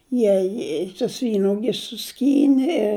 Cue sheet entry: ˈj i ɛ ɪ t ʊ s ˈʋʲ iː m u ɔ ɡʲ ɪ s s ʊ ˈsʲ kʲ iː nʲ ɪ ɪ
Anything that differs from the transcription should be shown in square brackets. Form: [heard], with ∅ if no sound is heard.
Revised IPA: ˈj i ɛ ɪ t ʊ s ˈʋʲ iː [n] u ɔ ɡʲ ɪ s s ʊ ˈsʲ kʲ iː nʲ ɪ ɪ

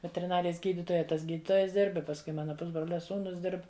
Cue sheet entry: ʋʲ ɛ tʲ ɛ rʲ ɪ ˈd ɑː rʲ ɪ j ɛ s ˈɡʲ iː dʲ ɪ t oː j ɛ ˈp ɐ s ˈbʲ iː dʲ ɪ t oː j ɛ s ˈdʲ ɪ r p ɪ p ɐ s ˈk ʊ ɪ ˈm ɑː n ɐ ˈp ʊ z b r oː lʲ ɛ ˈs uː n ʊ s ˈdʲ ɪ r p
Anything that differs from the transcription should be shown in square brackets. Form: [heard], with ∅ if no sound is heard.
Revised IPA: ʋʲ ɛ tʲ ɛ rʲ ɪ [ˈn] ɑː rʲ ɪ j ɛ s ˈɡʲ iː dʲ ɪ t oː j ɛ [ˈt] ɐ s [ˈɡʲ] iː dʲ ɪ t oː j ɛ s ˈdʲ ɪ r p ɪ p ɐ s ˈk ʊ ɪ ˈm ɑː n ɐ ˈp ʊ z b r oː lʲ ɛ ˈs uː n ʊ s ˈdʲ ɪ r p

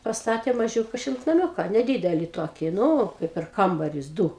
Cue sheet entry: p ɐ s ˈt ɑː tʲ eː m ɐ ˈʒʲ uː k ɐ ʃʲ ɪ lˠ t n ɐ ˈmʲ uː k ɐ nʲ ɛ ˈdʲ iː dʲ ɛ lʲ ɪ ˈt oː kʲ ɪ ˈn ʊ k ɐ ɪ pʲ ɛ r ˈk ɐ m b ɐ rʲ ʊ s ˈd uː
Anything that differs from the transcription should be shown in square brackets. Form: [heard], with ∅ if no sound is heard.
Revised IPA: p ɐ s ˈt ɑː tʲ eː m ɐ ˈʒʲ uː k ɐ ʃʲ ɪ lˠ t n ɐ ˈmʲ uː k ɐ nʲ ɛ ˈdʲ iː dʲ ɛ lʲ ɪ ˈt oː kʲ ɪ ˈn ʊ k ɐ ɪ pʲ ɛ r ˈk ɐ m b ɐ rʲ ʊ s ˈd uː

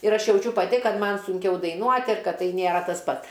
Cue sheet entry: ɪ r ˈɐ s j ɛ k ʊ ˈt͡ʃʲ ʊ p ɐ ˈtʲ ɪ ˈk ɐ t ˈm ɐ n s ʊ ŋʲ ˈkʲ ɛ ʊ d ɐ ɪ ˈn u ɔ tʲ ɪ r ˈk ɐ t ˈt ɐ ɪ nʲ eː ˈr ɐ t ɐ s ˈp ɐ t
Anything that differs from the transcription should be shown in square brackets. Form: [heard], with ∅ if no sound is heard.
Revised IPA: ɪ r ˈɐ [ʃ] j ɛ [∅] ʊ ˈt͡ʃʲ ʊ p ɐ ˈtʲ ɪ ˈk ɐ t ˈm ɐ n s ʊ ŋʲ ˈkʲ ɛ ʊ d ɐ ɪ ˈn u ɔ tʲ ɪ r ˈk ɐ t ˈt ɐ ɪ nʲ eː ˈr ɐ t ɐ s ˈp ɐ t

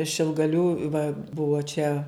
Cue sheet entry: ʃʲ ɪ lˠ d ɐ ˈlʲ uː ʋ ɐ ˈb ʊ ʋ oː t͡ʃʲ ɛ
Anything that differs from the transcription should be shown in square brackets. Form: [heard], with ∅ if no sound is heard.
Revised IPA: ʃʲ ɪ lˠ [ɡ] ɐ ˈlʲ uː ʋ ɐ ˈb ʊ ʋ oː t͡ʃʲ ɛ

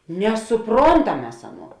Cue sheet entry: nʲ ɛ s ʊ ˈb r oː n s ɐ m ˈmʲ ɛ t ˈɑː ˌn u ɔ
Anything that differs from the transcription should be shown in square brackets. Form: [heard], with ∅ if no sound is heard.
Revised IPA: nʲ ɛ s ʊ [ˈp] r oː n [t] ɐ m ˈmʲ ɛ [s] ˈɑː ˌn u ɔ

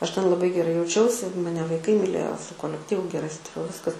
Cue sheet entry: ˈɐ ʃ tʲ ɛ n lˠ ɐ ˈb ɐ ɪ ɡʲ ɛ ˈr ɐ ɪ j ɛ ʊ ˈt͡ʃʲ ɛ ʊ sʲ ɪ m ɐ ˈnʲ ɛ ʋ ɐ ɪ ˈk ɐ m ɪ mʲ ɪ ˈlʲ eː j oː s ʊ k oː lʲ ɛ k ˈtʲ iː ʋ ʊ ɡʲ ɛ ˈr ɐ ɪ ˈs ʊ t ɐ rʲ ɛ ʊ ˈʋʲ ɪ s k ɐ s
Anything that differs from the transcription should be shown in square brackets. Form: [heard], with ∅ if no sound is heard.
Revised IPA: ˈɐ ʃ tʲ ɛ n lˠ ɐ ˈb ɐ ɪ ɡʲ ɛ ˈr ɐ ɪ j ɛ ʊ ˈt͡ʃʲ ɛ ʊ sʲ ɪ m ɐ ˈnʲ ɛ ʋ ɐ ɪ ˈk ɐ [∅] ɪ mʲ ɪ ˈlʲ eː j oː s ʊ k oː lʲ ɛ k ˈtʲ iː ʋ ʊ ɡʲ ɛ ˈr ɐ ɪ ˈs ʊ t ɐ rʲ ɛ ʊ ˈʋʲ ɪ s k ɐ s

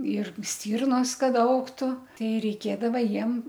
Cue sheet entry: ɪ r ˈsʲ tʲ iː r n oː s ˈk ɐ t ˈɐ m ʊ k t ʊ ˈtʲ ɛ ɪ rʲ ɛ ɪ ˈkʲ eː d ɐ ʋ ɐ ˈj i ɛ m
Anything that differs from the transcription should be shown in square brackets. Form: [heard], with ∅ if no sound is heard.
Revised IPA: ɪ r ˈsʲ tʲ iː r n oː s ˈk ɐ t ˈɐ [∅] ʊ k t ʊ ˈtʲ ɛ ɪ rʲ ɛ ɪ ˈkʲ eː d ɐ ʋ ɐ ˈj i ɛ m

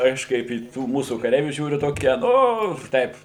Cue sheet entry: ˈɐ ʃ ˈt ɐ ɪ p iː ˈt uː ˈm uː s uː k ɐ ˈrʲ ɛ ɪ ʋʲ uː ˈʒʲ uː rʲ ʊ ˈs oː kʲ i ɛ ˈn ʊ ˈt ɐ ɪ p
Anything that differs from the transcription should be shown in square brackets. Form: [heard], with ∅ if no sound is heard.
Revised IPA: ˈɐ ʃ [ˈk] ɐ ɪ p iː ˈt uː ˈm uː s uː k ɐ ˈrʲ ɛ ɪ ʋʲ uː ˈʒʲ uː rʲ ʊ [ˈt] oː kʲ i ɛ ˈn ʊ ˈt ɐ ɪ p

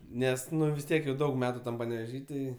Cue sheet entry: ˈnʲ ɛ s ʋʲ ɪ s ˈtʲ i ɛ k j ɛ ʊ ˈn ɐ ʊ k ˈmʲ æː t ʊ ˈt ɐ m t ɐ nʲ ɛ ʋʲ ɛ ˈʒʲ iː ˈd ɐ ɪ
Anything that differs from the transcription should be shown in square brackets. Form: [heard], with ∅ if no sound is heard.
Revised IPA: ˈnʲ ɛ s ʋʲ ɪ s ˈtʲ i ɛ k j ɛ ʊ [ˈd] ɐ ʊ k ˈmʲ æː t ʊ ˈt ɐ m [p] ɐ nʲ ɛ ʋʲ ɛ ˈʒʲ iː [ˈt] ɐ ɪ

